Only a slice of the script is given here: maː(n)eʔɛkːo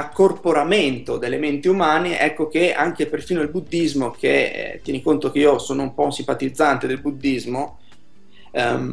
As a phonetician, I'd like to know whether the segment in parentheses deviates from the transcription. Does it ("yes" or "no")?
no